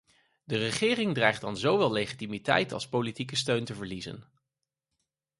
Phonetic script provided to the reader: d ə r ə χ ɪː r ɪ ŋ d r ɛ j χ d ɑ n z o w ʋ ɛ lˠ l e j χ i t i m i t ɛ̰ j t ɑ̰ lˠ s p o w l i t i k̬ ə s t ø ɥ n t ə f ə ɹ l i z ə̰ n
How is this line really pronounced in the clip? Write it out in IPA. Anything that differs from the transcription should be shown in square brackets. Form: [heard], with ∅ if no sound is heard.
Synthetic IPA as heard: d ə r ə χ ɪː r ɪ ŋ d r ɛ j χ d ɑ n z o w ʋ ɛ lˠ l e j χ i t i m i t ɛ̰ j t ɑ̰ lˠ s p o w l i t i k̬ ə s t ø ɥ n t ə [v] ə ɹ l i z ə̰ n